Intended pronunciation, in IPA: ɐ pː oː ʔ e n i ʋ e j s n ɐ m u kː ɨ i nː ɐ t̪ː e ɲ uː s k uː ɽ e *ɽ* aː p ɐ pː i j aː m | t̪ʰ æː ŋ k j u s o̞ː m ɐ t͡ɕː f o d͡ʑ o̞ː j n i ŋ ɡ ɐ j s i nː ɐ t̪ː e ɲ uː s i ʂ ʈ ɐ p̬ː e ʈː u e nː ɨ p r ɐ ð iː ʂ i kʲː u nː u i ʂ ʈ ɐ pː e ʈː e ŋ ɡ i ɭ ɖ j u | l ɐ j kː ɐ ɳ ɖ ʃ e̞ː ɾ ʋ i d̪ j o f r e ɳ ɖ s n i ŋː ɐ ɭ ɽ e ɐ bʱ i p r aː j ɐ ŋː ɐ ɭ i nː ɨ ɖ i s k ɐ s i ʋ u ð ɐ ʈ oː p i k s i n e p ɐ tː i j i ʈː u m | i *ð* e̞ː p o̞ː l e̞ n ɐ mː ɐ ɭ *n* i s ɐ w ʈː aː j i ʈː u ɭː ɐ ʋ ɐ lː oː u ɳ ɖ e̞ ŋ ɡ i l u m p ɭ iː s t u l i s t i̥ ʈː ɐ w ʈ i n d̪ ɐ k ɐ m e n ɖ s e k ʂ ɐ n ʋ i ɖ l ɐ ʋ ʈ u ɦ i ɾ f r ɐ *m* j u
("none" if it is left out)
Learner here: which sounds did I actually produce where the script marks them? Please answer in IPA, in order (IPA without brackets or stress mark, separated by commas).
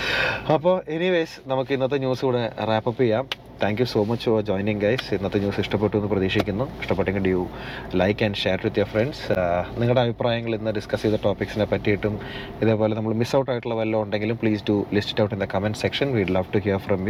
r, ð, m, m